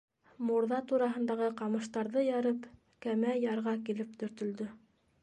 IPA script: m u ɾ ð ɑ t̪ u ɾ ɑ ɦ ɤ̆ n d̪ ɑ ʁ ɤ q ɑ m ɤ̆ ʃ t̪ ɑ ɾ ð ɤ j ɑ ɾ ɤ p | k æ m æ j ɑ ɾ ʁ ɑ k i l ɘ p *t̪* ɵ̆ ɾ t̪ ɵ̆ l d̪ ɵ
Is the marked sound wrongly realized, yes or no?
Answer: no